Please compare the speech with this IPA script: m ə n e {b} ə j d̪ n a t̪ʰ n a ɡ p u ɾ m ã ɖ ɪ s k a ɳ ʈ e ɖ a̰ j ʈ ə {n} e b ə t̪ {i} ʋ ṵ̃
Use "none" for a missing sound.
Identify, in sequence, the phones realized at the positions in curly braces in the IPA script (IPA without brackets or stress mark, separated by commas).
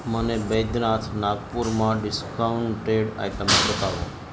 b, m, a